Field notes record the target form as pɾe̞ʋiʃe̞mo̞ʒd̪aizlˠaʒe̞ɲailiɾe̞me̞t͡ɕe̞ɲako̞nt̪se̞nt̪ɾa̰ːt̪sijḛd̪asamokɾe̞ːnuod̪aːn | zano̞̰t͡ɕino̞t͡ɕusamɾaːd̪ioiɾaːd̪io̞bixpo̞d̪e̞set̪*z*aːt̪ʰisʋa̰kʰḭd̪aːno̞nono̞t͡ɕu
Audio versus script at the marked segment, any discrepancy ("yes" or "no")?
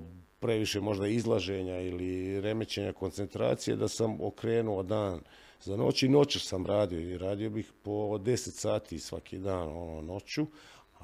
yes